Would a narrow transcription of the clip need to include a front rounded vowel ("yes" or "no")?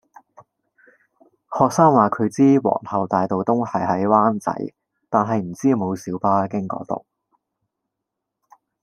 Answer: no